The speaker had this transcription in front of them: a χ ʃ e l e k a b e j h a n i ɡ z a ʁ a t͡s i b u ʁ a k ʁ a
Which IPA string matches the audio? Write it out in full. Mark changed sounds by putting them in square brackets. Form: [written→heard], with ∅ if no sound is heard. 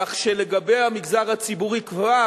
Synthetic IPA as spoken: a χ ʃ e l e [k→ɡ] a b e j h a [n→m] i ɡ z a ʁ a t͡s i b u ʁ [a→i] k [ʁ→v] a